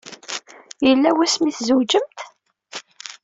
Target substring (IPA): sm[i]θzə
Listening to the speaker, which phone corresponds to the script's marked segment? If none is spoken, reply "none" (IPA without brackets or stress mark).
i